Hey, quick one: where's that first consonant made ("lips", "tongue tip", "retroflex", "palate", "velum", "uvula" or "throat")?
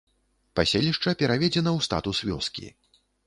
lips